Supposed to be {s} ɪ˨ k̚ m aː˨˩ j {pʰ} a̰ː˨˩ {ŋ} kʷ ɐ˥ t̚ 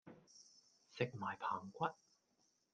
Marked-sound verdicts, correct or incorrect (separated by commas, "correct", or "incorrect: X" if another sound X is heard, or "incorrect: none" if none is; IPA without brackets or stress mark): correct, correct, correct